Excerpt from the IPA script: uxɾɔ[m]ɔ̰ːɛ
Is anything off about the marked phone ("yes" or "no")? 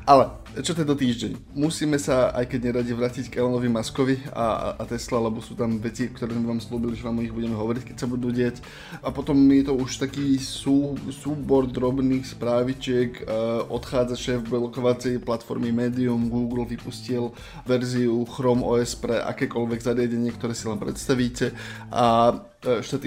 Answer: no